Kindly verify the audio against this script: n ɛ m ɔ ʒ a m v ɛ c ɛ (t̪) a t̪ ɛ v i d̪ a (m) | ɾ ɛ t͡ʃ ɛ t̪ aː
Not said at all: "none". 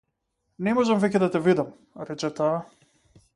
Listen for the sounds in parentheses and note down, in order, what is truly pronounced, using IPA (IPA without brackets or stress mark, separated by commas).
d̪, m